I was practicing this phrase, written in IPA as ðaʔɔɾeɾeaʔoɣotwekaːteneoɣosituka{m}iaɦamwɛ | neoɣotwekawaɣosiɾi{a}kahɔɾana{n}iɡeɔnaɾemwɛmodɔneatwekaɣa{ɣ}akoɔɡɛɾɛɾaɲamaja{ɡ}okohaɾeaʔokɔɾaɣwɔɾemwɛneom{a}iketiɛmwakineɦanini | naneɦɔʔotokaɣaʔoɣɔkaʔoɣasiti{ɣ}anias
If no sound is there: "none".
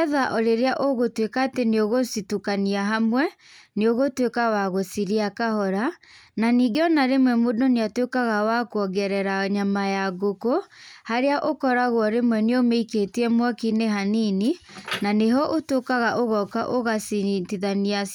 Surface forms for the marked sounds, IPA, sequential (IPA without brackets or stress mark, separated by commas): n, a, n, w, ɡ, e, ð